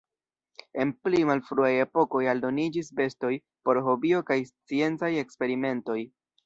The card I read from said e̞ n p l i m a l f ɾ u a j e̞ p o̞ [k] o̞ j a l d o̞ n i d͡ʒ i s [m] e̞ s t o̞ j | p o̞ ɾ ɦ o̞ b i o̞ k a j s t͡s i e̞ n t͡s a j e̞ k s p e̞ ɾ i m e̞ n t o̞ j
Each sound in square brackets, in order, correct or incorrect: correct, incorrect: b

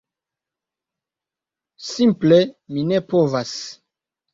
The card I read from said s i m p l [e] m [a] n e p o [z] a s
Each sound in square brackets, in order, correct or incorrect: correct, incorrect: i, incorrect: v

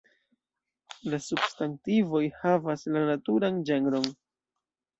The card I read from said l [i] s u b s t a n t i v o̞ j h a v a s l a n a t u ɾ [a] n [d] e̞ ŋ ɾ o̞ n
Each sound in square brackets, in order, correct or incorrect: incorrect: a, correct, incorrect: d͡ʒ

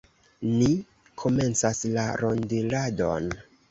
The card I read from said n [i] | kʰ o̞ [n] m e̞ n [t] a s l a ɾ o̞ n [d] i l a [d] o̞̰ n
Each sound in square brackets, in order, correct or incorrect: correct, incorrect: none, incorrect: t͡s, correct, correct

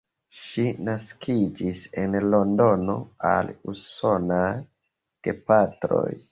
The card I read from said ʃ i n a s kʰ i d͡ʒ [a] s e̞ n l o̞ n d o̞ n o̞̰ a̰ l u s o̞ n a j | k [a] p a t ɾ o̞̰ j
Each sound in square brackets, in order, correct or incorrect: incorrect: i, incorrect: e

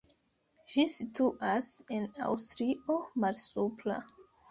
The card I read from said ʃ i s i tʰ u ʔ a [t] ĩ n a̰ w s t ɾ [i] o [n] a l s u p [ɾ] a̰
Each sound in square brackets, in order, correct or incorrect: incorrect: s, correct, incorrect: m, incorrect: l

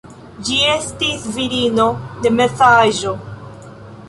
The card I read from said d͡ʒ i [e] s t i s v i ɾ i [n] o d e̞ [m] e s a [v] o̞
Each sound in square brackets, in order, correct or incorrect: correct, correct, correct, incorrect: ʒ

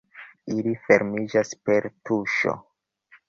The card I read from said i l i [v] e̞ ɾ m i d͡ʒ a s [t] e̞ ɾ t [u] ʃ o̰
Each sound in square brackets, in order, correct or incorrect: incorrect: f, incorrect: p, correct

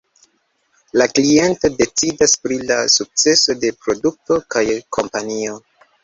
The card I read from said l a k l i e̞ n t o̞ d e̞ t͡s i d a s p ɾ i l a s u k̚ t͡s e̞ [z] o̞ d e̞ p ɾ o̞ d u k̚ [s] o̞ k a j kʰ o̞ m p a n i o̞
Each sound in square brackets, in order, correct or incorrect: incorrect: s, incorrect: t

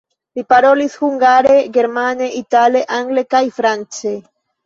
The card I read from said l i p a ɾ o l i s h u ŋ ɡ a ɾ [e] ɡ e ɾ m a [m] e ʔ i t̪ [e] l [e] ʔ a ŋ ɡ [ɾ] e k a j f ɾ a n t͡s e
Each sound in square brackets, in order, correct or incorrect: correct, incorrect: n, incorrect: a, correct, incorrect: l

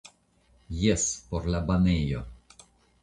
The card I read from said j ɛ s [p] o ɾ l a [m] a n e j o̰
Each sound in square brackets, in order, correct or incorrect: correct, incorrect: b

